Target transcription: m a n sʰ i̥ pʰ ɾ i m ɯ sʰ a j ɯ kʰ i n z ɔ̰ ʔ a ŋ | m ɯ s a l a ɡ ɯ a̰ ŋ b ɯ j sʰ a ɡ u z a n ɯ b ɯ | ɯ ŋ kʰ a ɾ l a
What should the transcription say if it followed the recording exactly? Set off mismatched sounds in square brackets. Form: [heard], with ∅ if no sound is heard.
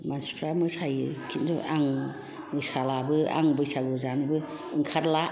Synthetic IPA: m a n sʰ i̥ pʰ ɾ [a] m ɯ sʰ a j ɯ kʰ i n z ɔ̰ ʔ a ŋ | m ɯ s a l a [b] ɯ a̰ ŋ b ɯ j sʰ a ɡ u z a n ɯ b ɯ | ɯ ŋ kʰ a ɾ l a